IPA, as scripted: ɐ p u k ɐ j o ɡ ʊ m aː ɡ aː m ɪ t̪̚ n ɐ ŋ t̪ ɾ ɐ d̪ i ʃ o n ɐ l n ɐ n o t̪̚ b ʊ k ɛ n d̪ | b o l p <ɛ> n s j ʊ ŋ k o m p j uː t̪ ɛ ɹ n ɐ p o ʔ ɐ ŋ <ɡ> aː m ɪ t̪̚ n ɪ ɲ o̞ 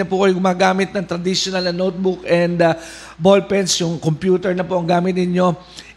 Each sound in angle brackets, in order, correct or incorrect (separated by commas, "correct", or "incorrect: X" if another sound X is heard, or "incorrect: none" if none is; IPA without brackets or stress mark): correct, correct